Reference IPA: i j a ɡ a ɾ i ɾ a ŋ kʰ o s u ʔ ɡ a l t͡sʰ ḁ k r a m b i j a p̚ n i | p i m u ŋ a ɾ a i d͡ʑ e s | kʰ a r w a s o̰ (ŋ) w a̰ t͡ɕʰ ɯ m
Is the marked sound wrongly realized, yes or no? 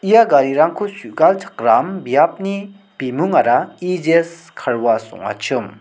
no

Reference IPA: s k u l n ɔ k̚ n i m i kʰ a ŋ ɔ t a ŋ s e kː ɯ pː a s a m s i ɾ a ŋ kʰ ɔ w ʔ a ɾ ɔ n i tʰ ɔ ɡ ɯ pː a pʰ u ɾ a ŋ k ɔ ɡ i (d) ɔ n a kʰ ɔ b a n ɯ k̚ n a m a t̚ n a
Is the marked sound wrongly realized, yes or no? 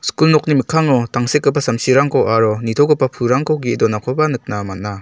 no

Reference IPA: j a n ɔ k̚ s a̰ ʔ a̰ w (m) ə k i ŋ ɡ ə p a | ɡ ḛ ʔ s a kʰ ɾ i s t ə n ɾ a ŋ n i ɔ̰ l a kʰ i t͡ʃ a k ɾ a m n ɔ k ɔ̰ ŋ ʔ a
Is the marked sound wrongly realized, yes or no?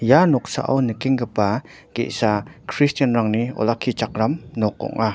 yes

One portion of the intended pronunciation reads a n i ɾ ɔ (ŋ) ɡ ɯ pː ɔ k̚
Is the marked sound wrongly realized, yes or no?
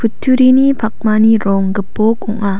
no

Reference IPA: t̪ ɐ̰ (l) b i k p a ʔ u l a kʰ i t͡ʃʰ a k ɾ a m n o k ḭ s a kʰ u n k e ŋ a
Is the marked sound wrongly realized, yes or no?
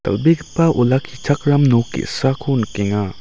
no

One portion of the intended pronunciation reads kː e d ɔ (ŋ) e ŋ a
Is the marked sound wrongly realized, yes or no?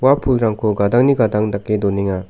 yes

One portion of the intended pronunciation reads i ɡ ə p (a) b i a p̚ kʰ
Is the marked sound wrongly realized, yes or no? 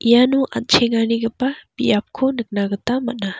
no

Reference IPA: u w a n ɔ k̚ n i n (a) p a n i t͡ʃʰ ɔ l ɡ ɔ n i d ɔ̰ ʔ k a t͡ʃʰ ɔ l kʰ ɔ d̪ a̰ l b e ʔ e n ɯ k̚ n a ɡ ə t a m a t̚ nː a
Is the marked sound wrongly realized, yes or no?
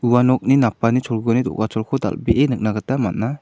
no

